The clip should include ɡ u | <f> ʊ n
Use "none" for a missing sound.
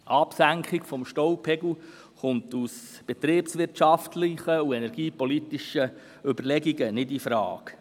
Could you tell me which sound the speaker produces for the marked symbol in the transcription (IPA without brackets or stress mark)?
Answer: χ